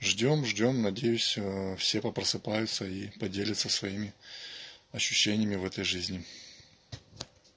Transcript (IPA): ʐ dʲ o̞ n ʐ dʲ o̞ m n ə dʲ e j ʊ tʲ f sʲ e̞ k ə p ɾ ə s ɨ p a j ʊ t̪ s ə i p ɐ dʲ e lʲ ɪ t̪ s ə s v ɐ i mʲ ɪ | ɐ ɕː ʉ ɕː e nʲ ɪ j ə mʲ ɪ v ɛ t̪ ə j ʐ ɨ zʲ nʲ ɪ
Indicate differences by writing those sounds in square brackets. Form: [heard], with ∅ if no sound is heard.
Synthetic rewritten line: ʐ dʲ o̞ [m] ʐ dʲ o̞ m n [ɐ] dʲ e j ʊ [sʲ] f sʲ e̞ [p] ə p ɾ ə s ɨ p a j ʊ t̪ s ə i p ɐ dʲ e lʲ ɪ t̪ s ə s v ɐ i mʲ ɪ | ɐ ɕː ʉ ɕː e nʲ ɪ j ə mʲ ɪ v ɛ t̪ ə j ʐ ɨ zʲ nʲ ɪ